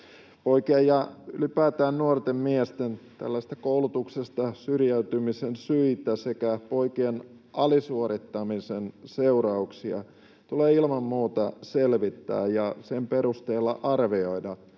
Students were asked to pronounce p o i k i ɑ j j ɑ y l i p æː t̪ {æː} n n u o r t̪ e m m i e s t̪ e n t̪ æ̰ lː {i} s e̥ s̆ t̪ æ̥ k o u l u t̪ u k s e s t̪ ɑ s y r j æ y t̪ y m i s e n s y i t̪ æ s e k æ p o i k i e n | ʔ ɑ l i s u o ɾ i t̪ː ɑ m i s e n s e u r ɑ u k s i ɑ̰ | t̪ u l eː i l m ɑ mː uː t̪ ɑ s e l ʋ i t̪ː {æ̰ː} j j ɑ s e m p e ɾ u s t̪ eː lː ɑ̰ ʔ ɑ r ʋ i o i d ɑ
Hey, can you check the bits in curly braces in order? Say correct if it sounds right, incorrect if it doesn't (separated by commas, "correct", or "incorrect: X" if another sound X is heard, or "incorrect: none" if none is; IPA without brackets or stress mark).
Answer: correct, incorrect: æ, correct